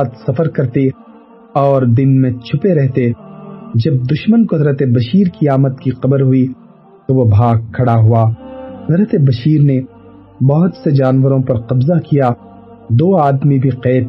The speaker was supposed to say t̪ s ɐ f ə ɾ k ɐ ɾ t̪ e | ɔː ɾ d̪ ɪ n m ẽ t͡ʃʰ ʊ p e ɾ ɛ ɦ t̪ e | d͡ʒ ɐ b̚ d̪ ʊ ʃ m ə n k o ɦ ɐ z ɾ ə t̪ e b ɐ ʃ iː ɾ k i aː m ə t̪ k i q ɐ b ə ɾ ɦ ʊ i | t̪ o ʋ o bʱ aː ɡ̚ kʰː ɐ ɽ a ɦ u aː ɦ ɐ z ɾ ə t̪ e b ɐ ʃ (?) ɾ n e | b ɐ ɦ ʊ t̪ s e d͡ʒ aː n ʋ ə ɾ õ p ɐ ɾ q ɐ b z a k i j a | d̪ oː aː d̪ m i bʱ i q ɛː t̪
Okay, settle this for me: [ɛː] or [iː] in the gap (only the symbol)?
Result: iː